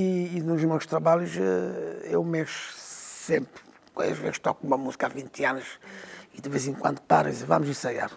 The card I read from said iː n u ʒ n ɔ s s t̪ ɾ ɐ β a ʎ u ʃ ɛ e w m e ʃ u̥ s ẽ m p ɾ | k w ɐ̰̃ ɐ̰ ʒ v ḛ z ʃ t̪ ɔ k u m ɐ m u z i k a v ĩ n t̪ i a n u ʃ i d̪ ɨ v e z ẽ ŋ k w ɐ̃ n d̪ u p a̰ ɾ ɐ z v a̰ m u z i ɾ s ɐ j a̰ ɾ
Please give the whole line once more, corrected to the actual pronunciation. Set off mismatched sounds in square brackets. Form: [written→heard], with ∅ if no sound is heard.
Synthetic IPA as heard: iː n u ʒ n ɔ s [s→ʃ] t̪ ɾ ɐ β a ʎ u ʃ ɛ e w m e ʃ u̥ s ẽ m p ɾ | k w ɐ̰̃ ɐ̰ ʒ v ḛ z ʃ t̪ ɔ k u m ɐ m u z i k a v ĩ n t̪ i a n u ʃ i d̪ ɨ v e z ẽ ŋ k w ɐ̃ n d̪ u p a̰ ɾ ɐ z v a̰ m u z i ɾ s ɐ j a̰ ɾ